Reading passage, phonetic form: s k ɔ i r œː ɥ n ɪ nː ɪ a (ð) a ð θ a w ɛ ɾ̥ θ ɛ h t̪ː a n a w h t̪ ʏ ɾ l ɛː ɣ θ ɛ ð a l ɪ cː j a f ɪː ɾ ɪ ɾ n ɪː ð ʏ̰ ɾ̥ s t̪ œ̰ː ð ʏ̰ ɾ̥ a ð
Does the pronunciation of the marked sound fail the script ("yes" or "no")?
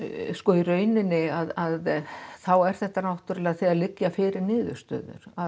no